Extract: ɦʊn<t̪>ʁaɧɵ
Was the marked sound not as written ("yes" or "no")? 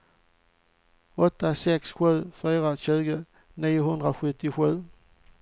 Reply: yes